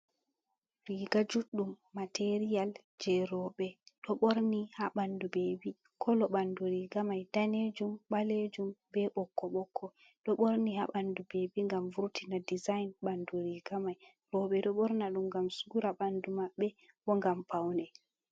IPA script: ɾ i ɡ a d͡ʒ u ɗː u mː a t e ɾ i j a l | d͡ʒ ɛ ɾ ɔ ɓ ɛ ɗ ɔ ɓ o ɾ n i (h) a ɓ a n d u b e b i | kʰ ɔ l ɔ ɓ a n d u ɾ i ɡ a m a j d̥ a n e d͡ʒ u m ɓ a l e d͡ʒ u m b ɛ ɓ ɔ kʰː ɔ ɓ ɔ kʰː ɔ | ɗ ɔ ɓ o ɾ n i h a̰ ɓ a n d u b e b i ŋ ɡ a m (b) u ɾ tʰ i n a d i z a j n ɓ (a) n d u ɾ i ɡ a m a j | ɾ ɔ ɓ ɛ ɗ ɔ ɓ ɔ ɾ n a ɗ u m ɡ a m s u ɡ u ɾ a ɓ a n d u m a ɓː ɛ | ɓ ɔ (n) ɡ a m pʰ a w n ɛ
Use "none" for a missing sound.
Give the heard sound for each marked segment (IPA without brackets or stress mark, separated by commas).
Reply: h, v, a, ŋ